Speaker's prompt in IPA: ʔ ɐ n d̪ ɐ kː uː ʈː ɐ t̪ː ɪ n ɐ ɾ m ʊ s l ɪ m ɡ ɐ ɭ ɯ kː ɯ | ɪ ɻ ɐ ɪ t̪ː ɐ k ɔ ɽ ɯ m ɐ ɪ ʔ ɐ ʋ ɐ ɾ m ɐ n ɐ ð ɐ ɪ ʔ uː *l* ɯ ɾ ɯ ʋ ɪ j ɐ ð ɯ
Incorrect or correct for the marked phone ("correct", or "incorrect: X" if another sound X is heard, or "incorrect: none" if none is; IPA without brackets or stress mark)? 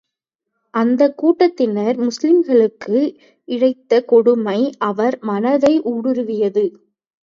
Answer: incorrect: ɽ